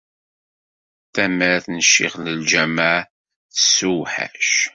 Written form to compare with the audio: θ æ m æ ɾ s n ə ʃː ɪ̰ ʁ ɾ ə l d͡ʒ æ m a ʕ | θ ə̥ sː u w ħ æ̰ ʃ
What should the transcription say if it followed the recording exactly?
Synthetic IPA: θ æ m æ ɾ θ n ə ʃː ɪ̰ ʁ l ə l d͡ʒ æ m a ʕ | θ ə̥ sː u w ħ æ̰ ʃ